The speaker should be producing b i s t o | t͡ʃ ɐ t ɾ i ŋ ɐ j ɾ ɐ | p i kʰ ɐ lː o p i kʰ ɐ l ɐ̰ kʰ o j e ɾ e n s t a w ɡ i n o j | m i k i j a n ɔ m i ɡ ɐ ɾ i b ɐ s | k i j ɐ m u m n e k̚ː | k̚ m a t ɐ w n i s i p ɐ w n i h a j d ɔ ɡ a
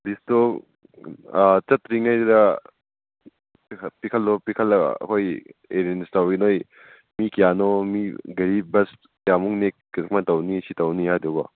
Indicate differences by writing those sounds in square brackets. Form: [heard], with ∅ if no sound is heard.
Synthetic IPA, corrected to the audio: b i s t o | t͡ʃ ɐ t ɾ i ŋ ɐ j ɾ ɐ | p i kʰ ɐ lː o p i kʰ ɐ l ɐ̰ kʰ o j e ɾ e n s t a w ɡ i n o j | m i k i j a n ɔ m i ɡ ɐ ɾ i b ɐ s | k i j [a] m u [ŋ] n e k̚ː | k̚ m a t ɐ w n i s i [t] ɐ w n i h a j d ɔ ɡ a

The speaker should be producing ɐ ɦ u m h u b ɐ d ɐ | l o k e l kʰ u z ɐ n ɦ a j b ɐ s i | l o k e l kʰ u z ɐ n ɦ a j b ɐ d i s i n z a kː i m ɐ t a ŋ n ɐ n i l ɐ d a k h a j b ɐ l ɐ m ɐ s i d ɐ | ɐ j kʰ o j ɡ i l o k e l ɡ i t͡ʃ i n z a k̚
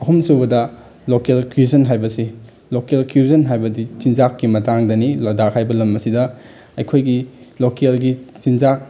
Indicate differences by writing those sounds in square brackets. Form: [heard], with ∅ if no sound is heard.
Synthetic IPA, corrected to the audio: ɐ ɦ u m [s] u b ɐ d ɐ | l o k e l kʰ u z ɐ n ɦ a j b ɐ s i | l o k e l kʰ u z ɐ n ɦ a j b ɐ d i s i n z a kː i m ɐ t a ŋ [d] ɐ n i l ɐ d a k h a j b ɐ l ɐ m ɐ s i d ɐ | ɐ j kʰ o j ɡ i l o k e l ɡ i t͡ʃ i n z a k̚

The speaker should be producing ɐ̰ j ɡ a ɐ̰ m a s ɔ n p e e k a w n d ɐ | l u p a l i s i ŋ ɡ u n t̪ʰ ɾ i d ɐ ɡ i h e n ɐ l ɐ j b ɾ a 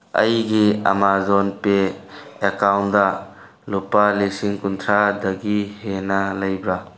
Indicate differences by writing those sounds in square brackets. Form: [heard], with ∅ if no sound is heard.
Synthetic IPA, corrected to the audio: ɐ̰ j ɡ [i] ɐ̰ m a [z] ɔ n p e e k a w n d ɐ | l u p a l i s i ŋ [k] u n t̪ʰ ɾ [a] d ɐ ɡ i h e n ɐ l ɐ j b ɾ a

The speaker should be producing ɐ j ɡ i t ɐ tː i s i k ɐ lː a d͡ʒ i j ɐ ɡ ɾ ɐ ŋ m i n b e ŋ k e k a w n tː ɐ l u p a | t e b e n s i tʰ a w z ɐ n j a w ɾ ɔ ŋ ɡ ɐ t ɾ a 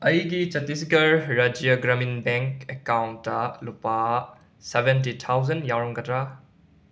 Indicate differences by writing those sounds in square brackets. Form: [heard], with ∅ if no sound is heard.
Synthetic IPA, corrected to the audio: ɐ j ɡ i [t͡ʃ] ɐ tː i s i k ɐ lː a d͡ʒ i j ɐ ɡ ɾ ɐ [∅] m i n b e ŋ k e k a w n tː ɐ l u p a | [s] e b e n [t] i tʰ a w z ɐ n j a w ɾ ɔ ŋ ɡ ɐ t ɾ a

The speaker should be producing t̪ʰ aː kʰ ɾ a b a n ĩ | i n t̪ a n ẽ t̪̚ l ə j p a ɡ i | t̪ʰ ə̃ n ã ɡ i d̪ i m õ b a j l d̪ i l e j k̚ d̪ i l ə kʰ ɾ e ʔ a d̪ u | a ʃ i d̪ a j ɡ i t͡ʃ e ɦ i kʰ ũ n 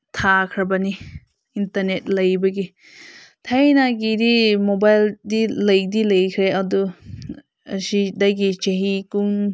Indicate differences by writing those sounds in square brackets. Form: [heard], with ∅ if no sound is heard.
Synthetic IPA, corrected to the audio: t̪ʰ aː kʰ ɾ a b a n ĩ | i n t̪ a n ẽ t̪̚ l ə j [b] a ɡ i | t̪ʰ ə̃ n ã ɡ i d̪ i m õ b a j l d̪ i l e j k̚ d̪ i l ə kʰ ɾ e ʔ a d̪ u | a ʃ i d̪ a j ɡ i t͡ʃ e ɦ i [k] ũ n

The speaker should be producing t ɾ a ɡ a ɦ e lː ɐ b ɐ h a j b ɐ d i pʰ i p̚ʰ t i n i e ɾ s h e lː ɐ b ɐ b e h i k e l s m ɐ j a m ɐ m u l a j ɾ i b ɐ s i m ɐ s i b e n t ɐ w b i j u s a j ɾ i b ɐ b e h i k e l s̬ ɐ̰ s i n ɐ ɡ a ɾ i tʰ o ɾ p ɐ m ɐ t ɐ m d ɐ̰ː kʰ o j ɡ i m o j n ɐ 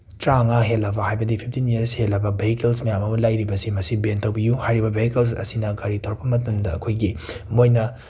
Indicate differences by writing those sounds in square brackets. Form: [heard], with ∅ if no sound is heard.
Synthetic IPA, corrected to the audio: t ɾ a [ŋ] a ɦ e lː ɐ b ɐ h a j b ɐ d i pʰ i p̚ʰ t i n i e ɾ s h e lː ɐ b ɐ b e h i k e l s m ɐ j a m ɐ m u l a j ɾ i b ɐ s i m ɐ s i b e n t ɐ w b i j u [h] a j ɾ i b ɐ b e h i k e l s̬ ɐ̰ s i n ɐ ɡ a ɾ i tʰ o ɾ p ɐ m ɐ t ɐ m d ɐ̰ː kʰ o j ɡ i m o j n ɐ

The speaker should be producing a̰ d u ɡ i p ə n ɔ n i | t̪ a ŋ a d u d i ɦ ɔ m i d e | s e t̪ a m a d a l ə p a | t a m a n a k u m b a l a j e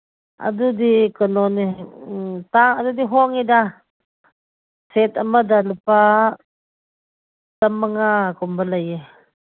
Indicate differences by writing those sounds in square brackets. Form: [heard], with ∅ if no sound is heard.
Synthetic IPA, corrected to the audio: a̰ d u [d] i [k] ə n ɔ n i | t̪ a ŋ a d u d i ɦ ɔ [ŋ] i d [a] | s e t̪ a m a d a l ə p a | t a m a [ŋ] a k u m b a l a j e

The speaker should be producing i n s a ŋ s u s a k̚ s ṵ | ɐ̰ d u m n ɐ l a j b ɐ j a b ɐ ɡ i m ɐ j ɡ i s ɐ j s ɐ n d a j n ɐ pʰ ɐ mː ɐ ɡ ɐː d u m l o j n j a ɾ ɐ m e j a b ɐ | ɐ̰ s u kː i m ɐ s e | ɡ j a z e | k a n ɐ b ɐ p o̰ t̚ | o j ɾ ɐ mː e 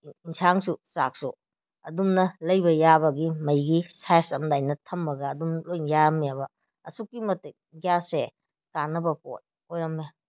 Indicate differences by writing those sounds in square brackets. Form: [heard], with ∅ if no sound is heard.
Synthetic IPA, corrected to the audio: i n s a ŋ s u s a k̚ s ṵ | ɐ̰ d u m n ɐ l [ɐ] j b ɐ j a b ɐ ɡ i m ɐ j ɡ i s [a] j s ɐ [m] d a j n ɐ [tʰ] ɐ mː ɐ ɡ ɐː d u m l o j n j a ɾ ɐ m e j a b ɐ | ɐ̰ s u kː i m ɐ [t] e | ɡ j a [s] e | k a n ɐ b ɐ p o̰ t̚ | o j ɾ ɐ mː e

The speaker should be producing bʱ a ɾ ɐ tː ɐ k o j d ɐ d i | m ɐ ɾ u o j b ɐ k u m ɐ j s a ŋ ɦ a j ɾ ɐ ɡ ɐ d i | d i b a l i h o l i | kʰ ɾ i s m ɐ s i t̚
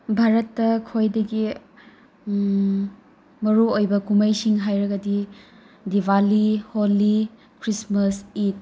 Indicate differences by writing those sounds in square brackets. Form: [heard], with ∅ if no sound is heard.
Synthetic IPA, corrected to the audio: bʱ a ɾ ɐ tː ɐ [kʰ] o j d ɐ [ɡ] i | m ɐ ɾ u o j b ɐ k u m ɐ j s [i] ŋ ɦ a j ɾ ɐ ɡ ɐ d i | d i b a l i h o l i | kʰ ɾ i s m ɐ s i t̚

